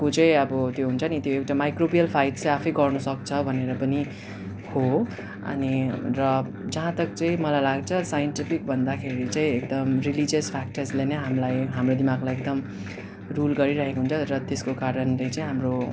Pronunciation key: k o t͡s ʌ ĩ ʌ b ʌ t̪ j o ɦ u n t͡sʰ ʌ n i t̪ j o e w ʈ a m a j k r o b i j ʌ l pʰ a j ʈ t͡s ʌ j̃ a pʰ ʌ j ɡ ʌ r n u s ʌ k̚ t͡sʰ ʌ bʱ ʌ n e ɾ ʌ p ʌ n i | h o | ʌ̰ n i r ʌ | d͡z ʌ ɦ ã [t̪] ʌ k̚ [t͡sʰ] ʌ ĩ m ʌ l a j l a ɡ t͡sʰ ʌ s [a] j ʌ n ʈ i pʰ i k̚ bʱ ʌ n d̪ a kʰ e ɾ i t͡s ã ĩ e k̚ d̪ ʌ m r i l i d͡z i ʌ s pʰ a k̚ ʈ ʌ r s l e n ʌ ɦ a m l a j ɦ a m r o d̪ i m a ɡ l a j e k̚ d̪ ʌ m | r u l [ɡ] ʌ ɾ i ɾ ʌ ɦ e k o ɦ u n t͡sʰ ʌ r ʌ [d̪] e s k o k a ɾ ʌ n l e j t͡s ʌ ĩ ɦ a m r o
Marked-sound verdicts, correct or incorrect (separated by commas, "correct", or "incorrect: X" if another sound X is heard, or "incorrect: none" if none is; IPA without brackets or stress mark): correct, incorrect: t͡s, correct, correct, incorrect: t̪